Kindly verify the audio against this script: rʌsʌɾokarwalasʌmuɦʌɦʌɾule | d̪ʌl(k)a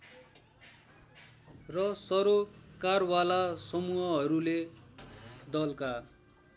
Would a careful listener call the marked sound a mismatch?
no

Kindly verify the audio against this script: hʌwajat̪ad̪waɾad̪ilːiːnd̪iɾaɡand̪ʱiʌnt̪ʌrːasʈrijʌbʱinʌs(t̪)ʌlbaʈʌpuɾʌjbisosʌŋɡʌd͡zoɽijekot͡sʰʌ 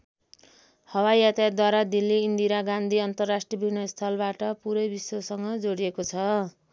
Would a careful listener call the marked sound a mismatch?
yes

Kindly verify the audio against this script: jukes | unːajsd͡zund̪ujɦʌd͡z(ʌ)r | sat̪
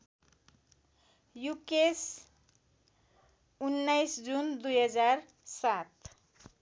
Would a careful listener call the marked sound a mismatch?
yes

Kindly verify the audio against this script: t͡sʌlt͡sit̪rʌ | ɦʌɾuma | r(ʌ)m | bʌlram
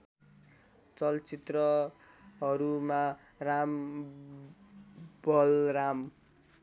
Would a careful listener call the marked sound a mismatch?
yes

